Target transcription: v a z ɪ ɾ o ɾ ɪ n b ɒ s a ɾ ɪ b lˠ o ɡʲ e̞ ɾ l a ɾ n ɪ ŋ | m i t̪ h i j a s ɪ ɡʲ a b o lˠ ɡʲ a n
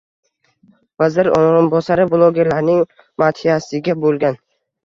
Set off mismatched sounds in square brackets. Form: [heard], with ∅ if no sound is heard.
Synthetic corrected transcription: v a z ɪ ɾ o ɾ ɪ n b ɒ s a ɾ ɪ b lˠ o ɡʲ e̞ ɾ l a ɾ n ɪ ŋ | m [a] t̪ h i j a s ɪ ɡʲ a b o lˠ ɡʲ a n